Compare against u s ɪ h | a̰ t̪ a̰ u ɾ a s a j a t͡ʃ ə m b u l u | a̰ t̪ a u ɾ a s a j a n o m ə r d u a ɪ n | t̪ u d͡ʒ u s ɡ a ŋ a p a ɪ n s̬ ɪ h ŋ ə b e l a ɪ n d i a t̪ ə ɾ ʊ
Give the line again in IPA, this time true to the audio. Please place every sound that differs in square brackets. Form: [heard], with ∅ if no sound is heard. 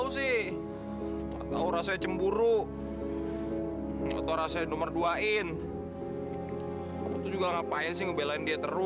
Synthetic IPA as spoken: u s ɪ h | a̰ t̪ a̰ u ɾ a s a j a t͡ʃ ə m b u [ɾ] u | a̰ t̪ a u ɾ a s a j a n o m ə r d u a ɪ n | t̪ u d͡ʒ u [∅] ɡ a ŋ a p a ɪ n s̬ ɪ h ŋ ə b e l a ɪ n d i a t̪ ə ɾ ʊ

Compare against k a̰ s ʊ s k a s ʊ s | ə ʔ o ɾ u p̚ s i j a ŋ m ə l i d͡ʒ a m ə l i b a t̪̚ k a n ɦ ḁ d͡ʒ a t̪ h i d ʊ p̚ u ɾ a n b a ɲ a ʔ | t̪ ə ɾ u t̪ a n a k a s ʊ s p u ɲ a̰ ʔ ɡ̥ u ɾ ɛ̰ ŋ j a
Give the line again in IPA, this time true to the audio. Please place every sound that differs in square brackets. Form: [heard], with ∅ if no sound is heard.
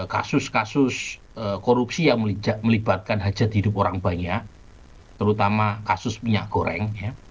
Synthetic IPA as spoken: k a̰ s ʊ s k a s ʊ s | ə [k] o ɾ u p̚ s i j a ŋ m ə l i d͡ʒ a m ə l i b a t̪̚ k a n ɦ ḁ d͡ʒ a t̪ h i d ʊ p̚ [o] ɾ a [ŋ] b a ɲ a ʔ | t̪ ə ɾ u t̪ a [m] a k a s ʊ s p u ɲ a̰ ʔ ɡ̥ [o] ɾ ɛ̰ ŋ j a

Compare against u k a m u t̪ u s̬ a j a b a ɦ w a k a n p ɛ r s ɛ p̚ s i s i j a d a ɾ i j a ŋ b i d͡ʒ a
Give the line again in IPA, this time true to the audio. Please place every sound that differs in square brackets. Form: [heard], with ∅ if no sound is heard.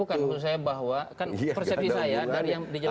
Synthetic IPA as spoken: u k a [n] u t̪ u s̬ a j a b a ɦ w a k a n p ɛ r s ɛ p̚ s i s [a] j a d a ɾ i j a ŋ [d] i d͡ʒ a

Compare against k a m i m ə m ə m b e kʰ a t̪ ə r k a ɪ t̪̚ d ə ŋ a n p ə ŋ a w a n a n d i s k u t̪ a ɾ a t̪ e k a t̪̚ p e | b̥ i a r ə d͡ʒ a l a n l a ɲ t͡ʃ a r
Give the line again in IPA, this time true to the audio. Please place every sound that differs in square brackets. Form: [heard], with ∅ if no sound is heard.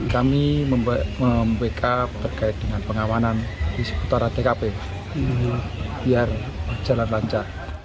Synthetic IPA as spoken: k a m i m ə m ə m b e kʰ a t̪ ə r k a ɪ t̪̚ d ə ŋ a n p ə ŋ a w a n a n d i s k u t̪ a ɾ a t̪ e k a [∅] p e | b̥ i a r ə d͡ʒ a l a n l a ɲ t͡ʃ a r

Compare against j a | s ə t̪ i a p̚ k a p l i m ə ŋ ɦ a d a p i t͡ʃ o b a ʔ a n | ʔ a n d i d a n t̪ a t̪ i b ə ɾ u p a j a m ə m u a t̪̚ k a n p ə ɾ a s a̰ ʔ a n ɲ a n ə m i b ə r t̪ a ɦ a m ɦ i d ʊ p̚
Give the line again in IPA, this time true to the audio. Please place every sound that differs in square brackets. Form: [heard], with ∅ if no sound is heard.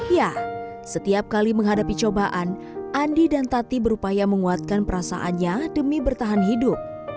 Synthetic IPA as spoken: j a | s ə t̪ i a p̚ k a [∅] l i m ə ŋ ɦ a d a p i t͡ʃ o b a ʔ a n | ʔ a n d i d a n t̪ a t̪ i b ə ɾ u p a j a m ə [ŋ] u a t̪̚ k a n p ə ɾ a s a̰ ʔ a n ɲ a [d] ə m i b ə r t̪ a ɦ a [n] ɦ i d ʊ p̚

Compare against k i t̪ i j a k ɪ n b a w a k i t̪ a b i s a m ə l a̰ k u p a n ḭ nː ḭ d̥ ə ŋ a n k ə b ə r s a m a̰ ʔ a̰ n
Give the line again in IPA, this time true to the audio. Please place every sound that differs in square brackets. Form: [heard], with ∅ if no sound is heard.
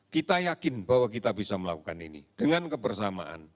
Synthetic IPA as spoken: k i t̪ [a] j a k ɪ n b a w a k i t̪ a b i s a m ə l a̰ k u [k] a n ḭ [n] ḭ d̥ ə ŋ a n k ə b ə r s a m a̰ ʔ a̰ n

